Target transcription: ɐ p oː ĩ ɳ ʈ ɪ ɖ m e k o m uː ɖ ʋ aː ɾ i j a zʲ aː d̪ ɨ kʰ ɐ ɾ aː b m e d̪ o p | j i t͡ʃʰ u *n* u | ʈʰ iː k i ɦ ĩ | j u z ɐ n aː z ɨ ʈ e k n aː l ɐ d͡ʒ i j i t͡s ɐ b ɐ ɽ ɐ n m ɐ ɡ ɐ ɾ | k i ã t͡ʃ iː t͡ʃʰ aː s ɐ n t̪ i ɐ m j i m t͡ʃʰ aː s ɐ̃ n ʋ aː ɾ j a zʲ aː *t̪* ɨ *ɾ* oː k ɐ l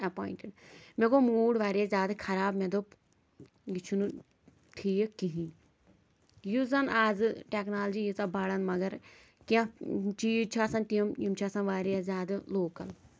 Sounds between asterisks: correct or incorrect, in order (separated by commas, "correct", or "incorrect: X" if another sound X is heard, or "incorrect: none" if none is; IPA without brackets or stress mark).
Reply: correct, incorrect: d̪, incorrect: l